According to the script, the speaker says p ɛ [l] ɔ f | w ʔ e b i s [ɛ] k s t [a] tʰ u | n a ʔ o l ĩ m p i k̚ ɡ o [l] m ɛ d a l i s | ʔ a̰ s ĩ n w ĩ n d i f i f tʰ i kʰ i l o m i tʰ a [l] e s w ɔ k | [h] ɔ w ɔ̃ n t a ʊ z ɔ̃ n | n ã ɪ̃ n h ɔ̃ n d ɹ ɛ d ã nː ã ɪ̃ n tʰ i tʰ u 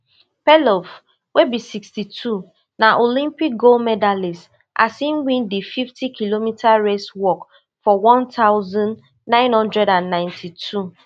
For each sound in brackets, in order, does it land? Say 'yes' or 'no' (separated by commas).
yes, no, no, yes, no, no